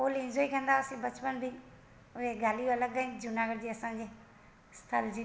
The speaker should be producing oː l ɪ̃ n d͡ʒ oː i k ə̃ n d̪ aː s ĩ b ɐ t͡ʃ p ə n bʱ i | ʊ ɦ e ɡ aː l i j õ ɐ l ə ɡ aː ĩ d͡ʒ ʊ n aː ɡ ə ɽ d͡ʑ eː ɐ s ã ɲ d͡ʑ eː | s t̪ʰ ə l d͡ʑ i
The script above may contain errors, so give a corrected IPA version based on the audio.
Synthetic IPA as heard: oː l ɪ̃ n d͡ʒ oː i k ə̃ n d̪ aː s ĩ b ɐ t͡ʃ p ə n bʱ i | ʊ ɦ e ɡ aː l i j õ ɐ l ə ɡ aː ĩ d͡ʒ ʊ n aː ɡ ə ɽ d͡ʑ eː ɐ s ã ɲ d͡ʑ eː | s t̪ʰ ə l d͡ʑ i